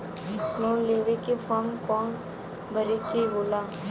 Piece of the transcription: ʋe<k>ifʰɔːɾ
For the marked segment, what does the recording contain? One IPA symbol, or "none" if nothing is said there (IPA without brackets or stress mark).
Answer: k